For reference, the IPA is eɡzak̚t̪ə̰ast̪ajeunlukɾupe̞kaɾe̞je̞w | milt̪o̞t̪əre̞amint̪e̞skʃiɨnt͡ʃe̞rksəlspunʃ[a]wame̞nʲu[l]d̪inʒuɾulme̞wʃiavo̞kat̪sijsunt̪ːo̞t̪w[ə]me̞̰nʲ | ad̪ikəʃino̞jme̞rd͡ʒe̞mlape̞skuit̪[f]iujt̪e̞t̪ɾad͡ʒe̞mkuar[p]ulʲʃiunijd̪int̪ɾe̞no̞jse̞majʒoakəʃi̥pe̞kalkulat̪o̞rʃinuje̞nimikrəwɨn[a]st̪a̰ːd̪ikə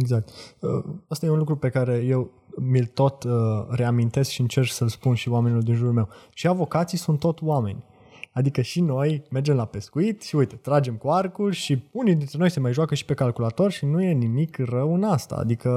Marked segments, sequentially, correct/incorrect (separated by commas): incorrect, correct, incorrect, incorrect, incorrect, correct